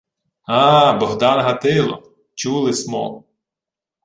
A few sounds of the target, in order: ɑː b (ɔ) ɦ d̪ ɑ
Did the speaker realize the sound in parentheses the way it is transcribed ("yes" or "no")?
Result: yes